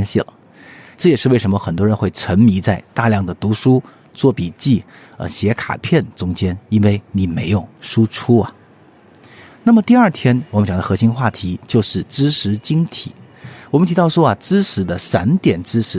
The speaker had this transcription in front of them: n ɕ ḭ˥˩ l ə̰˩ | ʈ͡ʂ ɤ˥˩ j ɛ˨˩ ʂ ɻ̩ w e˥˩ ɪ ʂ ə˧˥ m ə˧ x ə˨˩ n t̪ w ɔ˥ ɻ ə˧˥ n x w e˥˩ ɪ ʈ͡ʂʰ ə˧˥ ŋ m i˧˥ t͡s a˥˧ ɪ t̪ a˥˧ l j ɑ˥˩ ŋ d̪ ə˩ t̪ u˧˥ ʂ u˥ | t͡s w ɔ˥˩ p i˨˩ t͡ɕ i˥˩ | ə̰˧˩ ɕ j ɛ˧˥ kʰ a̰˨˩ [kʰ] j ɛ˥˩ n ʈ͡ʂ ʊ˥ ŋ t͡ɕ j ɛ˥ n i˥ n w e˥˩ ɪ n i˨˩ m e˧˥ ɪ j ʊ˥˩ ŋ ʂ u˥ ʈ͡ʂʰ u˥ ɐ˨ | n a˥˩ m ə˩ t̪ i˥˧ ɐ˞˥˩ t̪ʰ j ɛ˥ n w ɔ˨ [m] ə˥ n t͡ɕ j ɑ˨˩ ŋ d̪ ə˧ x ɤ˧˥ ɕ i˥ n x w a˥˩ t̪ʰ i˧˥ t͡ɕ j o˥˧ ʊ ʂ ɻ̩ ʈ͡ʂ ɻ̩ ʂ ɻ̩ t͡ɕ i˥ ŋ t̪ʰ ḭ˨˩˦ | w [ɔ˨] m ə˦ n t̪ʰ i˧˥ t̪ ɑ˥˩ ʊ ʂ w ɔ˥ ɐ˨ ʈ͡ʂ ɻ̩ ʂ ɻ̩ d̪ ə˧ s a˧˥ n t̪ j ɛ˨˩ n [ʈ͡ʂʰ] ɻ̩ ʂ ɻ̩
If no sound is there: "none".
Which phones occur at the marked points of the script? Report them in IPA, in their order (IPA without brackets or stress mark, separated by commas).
pʰ, m, ɔ˨, ʈ͡ʂ